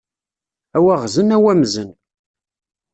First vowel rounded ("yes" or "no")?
no